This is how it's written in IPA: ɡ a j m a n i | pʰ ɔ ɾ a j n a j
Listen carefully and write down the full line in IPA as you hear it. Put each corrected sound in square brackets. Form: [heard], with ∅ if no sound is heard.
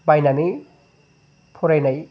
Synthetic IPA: [b] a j [n] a n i | pʰ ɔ ɾ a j n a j